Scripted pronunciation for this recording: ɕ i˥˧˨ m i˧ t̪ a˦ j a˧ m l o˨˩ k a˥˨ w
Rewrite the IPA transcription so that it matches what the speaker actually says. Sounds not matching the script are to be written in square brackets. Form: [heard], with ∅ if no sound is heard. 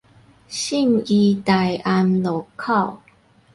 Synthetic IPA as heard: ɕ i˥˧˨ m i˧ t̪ [a˨˩] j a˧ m l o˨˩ [kʰ] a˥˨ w